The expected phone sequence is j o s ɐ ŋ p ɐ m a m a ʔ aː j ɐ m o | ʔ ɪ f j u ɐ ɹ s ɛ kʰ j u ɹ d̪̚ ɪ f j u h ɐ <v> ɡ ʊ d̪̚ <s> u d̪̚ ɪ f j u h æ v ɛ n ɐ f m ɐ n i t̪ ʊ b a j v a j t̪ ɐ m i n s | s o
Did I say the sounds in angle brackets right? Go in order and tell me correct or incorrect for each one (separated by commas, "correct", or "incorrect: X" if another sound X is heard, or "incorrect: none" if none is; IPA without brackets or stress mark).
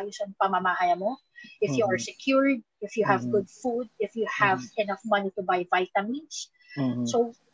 correct, incorrect: f